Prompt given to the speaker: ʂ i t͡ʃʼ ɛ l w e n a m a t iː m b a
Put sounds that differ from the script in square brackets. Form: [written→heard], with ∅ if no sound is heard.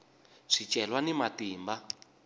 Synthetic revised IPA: ʂ i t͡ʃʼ ɛ l w [e→a] n [a→i] m a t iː m b a